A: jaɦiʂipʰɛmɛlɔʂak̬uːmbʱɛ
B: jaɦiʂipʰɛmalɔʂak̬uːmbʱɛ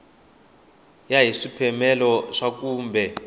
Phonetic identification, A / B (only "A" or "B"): A